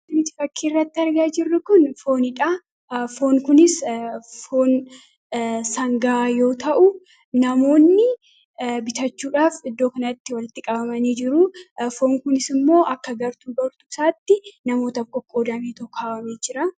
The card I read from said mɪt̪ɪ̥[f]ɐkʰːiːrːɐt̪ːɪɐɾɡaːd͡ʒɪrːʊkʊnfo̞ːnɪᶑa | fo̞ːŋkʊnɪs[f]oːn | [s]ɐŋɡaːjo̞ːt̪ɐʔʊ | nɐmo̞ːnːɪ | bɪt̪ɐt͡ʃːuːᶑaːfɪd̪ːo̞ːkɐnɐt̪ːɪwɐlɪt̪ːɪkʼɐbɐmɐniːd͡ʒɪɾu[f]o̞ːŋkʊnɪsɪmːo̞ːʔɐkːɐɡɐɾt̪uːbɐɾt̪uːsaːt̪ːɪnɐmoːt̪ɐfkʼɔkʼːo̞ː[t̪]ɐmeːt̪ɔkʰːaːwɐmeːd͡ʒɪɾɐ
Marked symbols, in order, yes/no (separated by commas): yes, yes, yes, yes, no